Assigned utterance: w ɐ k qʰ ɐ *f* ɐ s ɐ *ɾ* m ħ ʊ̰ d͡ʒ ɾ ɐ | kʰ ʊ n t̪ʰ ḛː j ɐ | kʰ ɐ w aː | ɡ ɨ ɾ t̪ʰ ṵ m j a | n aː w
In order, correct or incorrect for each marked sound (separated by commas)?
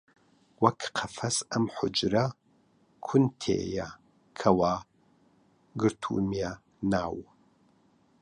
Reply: correct, incorrect